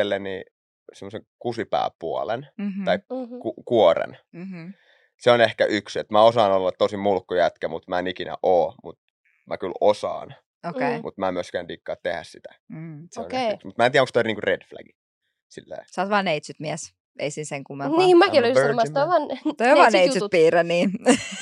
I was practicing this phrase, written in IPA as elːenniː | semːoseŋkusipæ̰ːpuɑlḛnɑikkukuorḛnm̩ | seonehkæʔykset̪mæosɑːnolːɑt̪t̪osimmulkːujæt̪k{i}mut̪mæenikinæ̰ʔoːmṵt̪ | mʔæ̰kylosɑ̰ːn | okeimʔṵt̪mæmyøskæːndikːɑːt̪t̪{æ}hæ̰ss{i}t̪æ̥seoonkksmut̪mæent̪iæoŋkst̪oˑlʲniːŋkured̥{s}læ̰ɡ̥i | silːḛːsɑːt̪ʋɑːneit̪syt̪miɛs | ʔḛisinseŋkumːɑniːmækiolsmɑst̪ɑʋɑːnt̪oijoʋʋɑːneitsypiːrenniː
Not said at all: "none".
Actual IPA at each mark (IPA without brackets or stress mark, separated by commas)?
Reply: æ, e, i, f